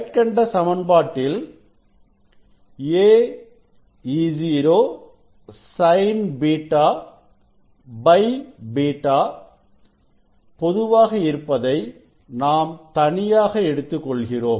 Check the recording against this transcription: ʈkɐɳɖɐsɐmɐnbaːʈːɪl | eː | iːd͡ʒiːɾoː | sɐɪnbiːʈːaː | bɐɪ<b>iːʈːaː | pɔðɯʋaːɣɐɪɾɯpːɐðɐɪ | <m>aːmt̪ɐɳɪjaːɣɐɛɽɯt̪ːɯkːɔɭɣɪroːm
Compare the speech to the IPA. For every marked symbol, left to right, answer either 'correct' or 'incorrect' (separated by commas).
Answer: correct, incorrect